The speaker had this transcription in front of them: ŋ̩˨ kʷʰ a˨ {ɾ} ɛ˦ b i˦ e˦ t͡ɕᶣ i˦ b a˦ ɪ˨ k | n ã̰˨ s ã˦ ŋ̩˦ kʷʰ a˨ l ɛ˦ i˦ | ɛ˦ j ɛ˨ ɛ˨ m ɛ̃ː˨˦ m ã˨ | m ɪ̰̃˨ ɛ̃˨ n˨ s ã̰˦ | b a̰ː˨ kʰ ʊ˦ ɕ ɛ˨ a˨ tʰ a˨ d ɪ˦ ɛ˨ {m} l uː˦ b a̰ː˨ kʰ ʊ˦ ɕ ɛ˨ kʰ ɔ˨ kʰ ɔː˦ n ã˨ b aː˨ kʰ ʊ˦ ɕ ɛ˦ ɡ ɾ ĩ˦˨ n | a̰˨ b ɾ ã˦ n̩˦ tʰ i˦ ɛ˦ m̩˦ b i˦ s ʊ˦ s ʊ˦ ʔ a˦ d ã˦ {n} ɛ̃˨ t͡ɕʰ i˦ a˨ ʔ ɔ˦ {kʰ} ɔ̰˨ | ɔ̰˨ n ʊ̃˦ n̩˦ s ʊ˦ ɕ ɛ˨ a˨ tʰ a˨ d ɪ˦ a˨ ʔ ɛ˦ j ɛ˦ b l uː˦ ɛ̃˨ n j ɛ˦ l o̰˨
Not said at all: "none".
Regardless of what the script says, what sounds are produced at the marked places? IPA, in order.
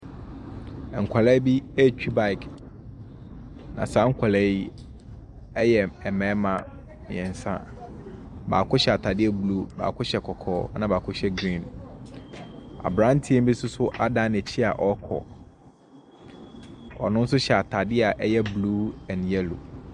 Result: l, b, n, kʰ

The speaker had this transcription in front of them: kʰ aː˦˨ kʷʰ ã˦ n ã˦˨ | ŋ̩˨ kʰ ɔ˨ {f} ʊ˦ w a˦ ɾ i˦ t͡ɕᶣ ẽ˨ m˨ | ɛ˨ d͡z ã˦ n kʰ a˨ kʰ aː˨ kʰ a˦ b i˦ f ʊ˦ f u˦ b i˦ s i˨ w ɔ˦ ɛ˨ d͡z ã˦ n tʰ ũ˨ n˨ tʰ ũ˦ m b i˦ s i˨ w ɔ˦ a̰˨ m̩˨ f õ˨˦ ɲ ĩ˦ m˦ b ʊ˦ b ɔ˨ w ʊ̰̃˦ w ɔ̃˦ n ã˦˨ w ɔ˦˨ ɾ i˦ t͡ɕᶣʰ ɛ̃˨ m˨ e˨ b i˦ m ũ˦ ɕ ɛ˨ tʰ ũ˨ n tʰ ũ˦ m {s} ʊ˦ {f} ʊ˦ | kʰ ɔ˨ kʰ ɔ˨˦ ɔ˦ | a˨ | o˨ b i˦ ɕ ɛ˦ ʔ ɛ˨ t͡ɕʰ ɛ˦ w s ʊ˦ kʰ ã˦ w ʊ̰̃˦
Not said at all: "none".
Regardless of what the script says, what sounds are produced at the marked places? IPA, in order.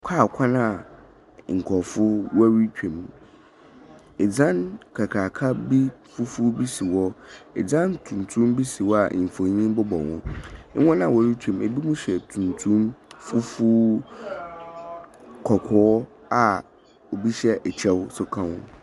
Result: f, f, f

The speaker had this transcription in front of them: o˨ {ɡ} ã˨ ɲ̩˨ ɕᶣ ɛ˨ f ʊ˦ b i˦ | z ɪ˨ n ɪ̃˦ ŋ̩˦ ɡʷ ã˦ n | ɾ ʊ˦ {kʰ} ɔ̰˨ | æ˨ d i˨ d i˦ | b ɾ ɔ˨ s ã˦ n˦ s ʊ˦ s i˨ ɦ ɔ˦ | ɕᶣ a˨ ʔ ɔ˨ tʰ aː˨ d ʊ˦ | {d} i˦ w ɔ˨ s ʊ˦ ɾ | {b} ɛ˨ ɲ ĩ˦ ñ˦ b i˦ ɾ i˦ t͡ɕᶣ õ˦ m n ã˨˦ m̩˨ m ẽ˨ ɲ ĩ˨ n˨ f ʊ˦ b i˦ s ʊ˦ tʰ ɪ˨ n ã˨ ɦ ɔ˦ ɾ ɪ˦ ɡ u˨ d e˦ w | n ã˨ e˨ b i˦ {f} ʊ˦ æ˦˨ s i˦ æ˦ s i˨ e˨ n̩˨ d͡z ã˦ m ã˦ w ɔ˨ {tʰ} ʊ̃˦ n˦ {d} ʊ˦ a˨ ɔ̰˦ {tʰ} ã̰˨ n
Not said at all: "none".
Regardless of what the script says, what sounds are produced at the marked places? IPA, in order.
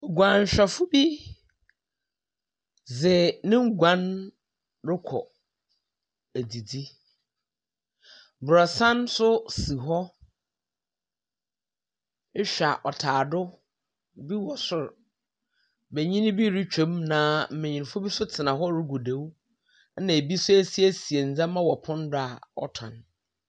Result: ɡ, kʰ, b, b, s, pʰ, d, tʰ

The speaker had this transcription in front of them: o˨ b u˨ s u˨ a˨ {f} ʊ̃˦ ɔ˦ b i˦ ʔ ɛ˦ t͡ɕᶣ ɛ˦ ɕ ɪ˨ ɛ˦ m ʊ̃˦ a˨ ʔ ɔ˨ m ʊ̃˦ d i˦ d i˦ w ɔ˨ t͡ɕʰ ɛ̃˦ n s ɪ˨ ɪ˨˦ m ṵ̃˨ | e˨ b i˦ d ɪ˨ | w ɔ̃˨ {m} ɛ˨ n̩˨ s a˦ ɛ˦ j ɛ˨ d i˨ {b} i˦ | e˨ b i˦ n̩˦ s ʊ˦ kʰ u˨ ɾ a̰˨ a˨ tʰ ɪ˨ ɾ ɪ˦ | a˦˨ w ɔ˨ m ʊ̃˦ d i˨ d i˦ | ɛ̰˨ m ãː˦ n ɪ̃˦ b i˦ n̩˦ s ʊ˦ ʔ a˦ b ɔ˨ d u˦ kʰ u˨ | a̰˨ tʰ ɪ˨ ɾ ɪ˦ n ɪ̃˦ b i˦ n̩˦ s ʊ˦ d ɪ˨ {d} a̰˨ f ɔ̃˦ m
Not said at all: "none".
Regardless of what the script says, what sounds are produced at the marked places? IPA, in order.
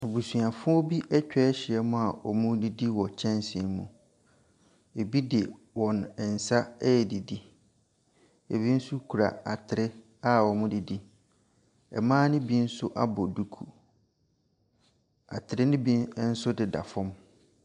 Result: f, n, d, d

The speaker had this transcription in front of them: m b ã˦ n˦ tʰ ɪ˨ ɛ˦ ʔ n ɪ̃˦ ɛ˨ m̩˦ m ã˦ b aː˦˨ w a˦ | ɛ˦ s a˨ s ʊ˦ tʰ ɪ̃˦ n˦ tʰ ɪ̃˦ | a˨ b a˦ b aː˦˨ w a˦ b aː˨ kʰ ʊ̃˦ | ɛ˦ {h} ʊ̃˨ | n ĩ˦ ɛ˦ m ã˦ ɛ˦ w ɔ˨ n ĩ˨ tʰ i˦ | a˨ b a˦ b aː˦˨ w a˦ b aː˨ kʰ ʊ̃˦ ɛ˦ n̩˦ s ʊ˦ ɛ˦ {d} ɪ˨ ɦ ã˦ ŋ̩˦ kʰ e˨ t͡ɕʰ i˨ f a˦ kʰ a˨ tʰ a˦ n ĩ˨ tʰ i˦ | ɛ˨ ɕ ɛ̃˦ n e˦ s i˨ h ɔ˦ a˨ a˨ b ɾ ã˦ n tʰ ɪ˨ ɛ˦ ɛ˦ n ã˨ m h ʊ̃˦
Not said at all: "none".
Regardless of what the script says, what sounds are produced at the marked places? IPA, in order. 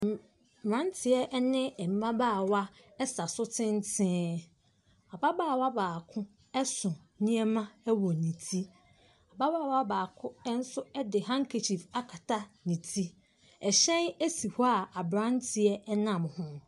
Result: s, d

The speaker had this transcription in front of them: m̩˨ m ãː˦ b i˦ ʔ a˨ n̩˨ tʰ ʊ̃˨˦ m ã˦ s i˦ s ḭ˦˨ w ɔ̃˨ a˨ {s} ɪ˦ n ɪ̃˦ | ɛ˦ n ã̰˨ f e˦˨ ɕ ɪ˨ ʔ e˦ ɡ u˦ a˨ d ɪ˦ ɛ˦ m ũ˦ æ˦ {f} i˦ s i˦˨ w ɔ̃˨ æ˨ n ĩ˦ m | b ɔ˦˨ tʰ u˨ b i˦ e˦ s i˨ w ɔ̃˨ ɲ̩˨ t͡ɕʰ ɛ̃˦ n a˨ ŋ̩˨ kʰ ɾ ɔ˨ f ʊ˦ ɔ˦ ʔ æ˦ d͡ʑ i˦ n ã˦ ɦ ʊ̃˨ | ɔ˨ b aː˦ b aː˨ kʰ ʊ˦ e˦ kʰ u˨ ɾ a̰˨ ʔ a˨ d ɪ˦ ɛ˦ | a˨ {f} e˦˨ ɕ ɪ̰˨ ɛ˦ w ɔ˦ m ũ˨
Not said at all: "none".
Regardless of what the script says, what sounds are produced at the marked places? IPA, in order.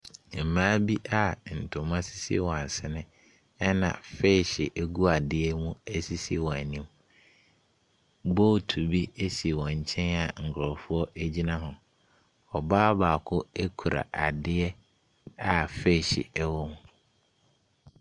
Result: s, s, f

